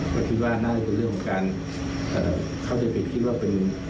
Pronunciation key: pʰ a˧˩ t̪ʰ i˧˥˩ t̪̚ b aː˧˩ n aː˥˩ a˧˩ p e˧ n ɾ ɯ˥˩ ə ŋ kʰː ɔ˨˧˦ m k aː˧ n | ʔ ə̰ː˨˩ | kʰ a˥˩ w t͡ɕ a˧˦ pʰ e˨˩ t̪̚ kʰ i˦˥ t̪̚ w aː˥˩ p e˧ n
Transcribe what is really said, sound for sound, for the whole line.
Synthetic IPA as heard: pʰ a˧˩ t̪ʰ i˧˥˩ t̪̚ w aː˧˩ n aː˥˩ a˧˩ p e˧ n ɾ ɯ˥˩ ə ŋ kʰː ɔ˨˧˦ ŋ k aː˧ n | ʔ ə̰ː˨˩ | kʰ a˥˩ w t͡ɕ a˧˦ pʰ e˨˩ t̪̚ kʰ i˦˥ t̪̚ w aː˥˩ p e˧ n